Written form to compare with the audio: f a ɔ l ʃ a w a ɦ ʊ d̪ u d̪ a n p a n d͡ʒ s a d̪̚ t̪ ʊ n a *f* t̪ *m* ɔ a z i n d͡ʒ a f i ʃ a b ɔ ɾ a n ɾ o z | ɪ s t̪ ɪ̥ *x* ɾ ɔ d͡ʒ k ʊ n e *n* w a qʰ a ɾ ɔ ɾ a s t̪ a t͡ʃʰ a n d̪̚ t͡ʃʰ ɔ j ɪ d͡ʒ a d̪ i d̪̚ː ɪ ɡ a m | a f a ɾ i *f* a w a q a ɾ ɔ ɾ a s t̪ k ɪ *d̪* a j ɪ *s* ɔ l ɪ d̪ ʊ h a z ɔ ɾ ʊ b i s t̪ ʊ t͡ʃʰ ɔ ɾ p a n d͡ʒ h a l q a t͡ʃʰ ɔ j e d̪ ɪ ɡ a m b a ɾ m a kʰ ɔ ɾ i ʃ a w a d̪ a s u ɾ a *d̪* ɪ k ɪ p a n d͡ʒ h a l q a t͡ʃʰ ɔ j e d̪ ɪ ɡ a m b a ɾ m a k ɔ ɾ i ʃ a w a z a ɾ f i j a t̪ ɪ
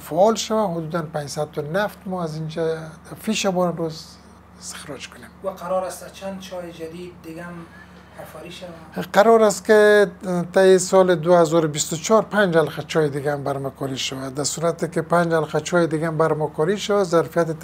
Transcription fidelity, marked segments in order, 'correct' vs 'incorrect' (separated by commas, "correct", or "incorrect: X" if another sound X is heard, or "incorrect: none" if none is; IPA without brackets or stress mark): correct, correct, correct, incorrect: m, incorrect: ʃ, incorrect: t̪, correct, incorrect: t̪